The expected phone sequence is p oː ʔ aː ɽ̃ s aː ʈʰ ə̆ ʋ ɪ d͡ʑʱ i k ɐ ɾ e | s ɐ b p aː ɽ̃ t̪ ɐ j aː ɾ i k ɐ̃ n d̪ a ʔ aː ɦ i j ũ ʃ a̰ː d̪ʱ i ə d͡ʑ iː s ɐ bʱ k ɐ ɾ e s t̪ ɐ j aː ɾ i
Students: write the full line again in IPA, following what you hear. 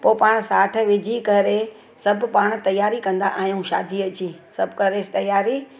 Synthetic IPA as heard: p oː p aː ɽ̃ s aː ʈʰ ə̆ ʋ ɪ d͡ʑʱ i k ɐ ɾ e | s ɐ b p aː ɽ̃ t̪ ɐ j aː ɾ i k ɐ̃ n d̪ a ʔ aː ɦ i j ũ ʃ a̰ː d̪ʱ i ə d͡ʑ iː s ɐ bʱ k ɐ ɾ e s t̪ ɐ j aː ɾ i